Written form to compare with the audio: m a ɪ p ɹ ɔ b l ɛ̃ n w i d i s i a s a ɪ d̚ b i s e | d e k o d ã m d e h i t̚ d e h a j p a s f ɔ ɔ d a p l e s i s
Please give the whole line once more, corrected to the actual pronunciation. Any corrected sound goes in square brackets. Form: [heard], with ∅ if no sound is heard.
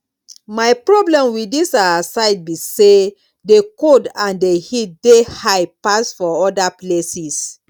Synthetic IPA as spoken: m a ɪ p ɹ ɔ b l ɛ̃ [m] w i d i s [a] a s a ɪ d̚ b i s e | d e k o d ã [n] d e h i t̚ d e h a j p a s f ɔ ɔ d a p l e s i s